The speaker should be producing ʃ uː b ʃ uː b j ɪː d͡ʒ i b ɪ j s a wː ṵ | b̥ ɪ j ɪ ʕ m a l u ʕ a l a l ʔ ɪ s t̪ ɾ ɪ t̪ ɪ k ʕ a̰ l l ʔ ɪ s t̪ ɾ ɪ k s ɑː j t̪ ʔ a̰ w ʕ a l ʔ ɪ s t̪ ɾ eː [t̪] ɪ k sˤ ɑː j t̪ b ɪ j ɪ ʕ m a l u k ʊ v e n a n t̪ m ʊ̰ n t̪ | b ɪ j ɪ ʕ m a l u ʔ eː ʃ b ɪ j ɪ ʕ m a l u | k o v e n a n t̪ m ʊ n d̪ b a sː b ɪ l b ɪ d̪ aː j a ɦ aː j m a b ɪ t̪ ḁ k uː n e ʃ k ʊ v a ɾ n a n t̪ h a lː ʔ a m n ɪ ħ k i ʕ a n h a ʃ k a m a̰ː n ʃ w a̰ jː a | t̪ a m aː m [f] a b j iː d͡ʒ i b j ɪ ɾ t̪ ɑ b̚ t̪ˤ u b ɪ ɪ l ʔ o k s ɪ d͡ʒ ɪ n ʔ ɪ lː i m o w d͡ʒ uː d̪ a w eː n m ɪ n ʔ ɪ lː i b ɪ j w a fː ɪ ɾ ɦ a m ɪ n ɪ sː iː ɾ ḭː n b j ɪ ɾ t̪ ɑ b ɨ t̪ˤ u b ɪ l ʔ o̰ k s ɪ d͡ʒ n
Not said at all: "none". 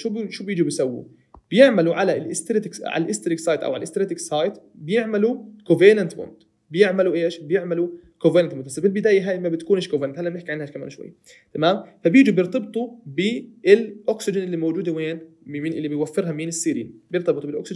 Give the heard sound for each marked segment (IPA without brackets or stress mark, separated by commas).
t̪, f